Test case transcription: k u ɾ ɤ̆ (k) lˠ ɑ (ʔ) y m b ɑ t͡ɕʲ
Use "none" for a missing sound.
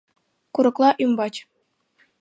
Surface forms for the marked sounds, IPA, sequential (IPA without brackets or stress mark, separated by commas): k, ʔ